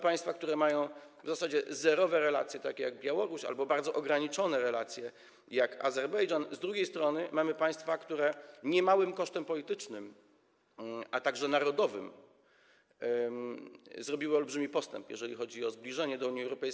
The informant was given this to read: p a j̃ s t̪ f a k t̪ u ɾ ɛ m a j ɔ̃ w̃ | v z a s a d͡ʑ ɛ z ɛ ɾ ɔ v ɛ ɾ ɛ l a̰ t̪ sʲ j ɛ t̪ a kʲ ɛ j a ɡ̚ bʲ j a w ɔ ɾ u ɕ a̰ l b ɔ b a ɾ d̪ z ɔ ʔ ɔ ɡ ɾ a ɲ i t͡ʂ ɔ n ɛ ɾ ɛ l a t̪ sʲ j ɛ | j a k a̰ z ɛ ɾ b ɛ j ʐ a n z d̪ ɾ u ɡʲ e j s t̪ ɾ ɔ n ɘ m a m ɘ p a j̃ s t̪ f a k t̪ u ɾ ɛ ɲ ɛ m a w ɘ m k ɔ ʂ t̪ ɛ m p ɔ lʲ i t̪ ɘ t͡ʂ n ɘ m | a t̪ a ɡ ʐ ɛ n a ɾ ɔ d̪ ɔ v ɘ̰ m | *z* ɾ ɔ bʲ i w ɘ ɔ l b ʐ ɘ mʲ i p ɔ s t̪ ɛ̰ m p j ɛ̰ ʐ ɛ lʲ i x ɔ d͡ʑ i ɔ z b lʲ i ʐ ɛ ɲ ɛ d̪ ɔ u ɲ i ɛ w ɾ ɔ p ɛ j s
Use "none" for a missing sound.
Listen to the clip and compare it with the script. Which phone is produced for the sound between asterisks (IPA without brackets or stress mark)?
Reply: z